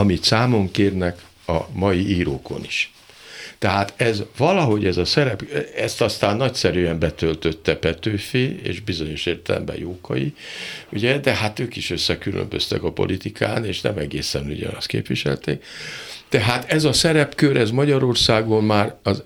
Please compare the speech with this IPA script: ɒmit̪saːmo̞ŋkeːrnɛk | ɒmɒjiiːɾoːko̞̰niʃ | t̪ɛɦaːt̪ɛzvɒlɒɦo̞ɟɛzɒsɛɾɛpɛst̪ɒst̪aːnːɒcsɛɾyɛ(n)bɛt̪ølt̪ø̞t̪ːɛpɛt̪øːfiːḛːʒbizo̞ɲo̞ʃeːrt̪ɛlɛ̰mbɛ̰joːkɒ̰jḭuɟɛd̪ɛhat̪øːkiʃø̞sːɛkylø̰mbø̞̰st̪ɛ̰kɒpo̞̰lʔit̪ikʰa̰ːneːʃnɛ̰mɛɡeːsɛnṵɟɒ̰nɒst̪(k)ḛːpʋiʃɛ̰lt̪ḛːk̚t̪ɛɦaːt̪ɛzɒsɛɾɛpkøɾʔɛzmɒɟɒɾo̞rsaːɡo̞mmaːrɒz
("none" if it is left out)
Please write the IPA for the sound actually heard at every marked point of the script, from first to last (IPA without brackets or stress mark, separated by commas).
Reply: m, k